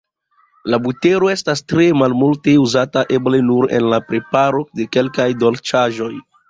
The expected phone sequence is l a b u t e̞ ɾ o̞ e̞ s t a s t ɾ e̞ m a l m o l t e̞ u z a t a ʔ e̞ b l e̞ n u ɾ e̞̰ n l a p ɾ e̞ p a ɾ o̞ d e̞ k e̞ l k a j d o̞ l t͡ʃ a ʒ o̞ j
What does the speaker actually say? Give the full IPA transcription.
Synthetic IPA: l a b u t e̞ ɾ o̞ e̞ s t a s t ɾ e̞ m a l m u l t e̞ u z a t a ʔ e̞ b l e̞ n u ɾ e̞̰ n l a p ɾ e̞ p a ɾ o̞ d e̞ k e̞ l k a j d o̞ l t͡ʃ a ʒ o̞ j